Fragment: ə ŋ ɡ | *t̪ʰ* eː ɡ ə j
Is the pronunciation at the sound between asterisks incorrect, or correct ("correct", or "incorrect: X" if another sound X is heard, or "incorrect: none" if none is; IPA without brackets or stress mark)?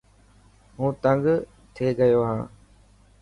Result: correct